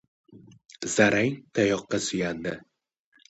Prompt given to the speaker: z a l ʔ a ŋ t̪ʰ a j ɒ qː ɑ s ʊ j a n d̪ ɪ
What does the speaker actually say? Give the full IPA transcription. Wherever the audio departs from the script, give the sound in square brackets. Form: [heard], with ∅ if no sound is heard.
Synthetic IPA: z a [ɾ] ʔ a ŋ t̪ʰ a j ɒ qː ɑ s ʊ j a n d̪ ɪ